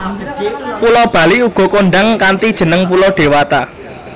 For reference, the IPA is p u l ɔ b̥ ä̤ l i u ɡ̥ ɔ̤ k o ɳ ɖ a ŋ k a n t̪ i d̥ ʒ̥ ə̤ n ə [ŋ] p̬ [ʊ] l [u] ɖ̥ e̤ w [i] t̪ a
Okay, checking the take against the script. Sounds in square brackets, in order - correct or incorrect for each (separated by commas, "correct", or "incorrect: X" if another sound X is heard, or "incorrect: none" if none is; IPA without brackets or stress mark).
correct, incorrect: u, incorrect: ɔ, incorrect: a